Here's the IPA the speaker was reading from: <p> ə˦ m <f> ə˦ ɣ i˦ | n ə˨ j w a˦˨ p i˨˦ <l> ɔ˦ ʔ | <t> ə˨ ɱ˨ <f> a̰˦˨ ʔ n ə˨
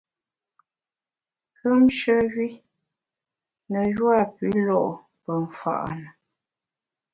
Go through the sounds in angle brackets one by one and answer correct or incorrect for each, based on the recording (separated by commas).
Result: incorrect, incorrect, correct, incorrect, correct